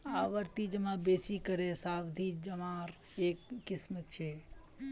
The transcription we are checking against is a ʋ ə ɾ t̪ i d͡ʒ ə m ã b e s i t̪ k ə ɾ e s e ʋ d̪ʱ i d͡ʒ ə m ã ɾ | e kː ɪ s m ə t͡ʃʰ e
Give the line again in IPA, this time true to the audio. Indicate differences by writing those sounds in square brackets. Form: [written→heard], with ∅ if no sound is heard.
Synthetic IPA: a ʋ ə ɾ t̪ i d͡ʒ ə m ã b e s i [t̪→∅] k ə ɾ e s [e→a] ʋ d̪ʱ i d͡ʒ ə m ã ɾ | e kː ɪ s m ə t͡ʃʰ e